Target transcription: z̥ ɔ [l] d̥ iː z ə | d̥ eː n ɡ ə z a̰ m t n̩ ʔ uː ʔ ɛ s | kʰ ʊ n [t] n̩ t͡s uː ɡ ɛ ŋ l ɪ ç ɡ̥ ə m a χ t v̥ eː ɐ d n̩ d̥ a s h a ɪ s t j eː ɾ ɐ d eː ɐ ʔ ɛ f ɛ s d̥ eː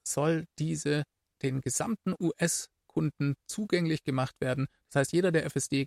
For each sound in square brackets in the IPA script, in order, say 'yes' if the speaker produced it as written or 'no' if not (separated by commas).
yes, no